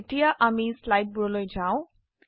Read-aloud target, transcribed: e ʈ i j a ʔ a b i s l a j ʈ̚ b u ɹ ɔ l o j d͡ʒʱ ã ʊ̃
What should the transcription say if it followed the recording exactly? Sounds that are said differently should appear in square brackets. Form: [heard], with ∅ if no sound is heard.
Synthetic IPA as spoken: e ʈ i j a ʔ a [m] i s l a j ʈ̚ b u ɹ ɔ l o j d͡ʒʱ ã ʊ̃